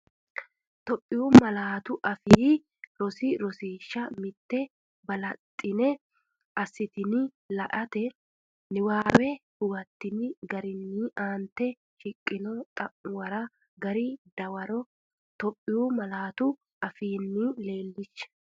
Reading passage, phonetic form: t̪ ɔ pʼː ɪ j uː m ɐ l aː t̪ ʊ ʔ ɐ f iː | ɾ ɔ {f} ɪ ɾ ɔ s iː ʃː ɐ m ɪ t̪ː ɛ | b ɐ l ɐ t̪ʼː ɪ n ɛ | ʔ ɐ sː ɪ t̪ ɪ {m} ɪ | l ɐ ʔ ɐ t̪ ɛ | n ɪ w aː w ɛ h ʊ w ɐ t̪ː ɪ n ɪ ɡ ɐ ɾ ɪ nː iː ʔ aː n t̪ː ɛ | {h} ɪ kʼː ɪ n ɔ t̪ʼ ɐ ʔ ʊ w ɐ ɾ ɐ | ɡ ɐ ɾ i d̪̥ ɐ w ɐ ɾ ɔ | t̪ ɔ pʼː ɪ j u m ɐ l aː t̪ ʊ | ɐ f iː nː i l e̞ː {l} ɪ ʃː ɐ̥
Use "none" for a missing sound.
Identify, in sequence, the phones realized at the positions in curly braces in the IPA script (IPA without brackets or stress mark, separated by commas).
s, n, ʃ, lː